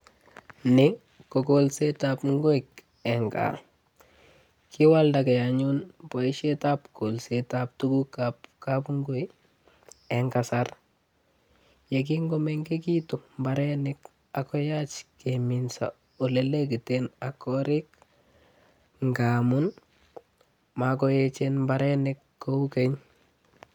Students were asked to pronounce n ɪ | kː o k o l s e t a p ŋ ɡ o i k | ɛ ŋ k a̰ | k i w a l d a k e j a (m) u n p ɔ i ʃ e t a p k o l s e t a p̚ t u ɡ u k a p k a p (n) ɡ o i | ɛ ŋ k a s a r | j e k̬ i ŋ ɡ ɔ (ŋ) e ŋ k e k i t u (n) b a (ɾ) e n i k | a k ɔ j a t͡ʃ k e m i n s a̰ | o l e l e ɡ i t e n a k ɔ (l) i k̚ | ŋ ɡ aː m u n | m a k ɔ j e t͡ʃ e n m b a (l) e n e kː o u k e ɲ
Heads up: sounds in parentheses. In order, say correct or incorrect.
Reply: incorrect: ɲ, incorrect: ŋ, incorrect: m, incorrect: m, correct, incorrect: ɾ, incorrect: ɾ

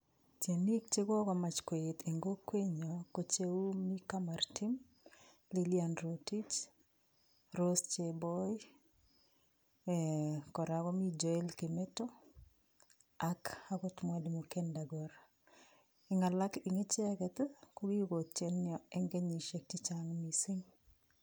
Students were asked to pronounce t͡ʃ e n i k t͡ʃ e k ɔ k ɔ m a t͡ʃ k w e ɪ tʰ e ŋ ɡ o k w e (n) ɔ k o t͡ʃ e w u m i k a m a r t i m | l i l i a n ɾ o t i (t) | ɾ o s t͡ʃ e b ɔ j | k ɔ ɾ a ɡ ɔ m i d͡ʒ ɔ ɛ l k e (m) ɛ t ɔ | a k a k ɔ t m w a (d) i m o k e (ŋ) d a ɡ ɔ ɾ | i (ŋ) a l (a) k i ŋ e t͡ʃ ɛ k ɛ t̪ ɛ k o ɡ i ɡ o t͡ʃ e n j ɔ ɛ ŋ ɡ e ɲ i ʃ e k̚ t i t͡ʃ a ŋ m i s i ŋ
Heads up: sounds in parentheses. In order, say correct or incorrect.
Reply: incorrect: ɲ, incorrect: t͡ʃ, correct, correct, incorrect: n, correct, correct

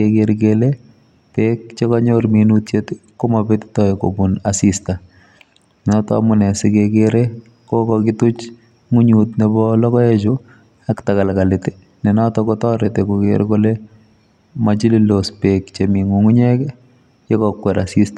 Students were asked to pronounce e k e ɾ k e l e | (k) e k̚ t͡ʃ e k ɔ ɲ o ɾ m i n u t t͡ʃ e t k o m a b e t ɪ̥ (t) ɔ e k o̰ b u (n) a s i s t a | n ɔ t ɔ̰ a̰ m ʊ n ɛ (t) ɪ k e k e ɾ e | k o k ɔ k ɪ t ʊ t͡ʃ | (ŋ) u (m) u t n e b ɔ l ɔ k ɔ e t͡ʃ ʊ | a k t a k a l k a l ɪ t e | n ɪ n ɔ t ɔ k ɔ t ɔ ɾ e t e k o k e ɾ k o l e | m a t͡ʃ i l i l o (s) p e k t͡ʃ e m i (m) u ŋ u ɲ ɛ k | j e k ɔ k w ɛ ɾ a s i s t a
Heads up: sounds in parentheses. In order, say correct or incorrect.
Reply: incorrect: p, correct, correct, incorrect: s, correct, incorrect: ɲ, correct, incorrect: ŋ

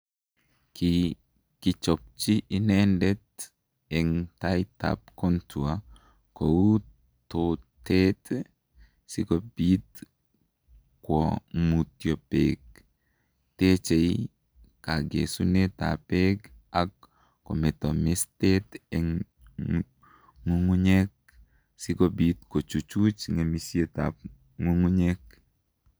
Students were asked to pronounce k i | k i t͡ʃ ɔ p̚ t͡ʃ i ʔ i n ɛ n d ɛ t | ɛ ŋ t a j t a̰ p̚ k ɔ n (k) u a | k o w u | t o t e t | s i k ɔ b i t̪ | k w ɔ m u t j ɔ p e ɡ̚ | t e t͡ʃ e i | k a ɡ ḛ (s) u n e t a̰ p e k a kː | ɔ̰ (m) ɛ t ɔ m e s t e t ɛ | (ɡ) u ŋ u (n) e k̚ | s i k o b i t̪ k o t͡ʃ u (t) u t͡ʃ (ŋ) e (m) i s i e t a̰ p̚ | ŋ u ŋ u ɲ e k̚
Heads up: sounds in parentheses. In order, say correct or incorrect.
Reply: incorrect: t, correct, correct, incorrect: ŋ, incorrect: ɲ, incorrect: t͡ʃ, correct, correct

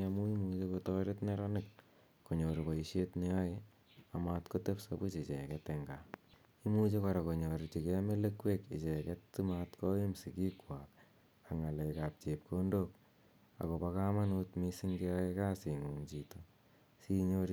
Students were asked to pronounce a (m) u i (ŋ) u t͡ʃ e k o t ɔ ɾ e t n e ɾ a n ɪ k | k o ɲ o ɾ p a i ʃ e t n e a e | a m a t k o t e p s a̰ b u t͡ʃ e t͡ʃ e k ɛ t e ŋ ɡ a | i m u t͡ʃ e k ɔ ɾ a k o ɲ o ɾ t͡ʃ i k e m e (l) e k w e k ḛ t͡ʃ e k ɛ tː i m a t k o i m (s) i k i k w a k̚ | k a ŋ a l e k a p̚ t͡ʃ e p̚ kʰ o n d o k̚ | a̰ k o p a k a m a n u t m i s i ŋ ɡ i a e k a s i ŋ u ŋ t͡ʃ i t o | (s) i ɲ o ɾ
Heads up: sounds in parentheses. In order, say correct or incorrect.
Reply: correct, incorrect: m, correct, correct, correct

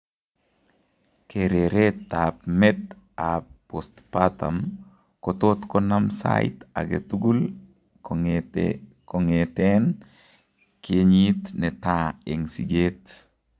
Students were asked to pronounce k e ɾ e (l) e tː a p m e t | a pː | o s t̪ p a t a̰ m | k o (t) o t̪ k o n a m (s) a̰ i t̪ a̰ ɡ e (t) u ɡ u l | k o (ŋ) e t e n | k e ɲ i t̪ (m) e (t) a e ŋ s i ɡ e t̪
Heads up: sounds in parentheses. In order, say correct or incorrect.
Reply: incorrect: ɾ, correct, correct, correct, correct, incorrect: n, correct

